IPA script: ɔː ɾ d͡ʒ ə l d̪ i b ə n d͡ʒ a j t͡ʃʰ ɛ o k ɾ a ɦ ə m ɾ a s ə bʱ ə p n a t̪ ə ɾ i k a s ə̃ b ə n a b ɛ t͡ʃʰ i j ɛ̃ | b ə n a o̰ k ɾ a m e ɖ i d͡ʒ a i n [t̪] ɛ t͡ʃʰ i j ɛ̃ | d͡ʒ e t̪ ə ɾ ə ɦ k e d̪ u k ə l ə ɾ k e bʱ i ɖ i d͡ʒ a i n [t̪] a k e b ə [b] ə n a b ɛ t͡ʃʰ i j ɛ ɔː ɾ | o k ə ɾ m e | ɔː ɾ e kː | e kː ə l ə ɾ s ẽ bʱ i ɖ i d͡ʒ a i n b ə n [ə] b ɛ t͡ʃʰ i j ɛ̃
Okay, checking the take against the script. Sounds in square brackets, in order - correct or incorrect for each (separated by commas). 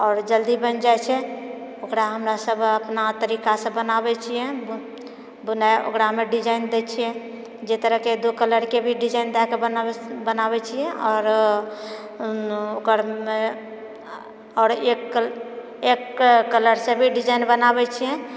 incorrect, incorrect, correct, incorrect